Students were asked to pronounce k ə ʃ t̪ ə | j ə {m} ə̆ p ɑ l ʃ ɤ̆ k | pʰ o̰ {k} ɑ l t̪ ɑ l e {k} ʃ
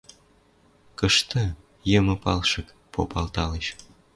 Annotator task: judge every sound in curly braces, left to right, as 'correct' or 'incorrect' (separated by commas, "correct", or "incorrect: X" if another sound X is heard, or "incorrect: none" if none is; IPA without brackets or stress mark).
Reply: correct, incorrect: p, incorrect: none